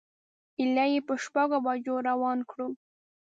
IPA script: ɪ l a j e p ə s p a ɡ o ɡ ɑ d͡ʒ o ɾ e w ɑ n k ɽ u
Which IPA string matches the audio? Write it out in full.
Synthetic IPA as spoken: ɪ l a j e p ə ʃ p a ɡ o b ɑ d͡ʒ o ɾ a w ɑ n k ɽ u